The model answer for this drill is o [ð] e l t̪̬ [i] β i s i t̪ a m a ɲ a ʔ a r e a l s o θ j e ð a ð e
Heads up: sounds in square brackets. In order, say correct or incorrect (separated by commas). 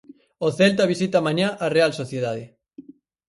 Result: incorrect, incorrect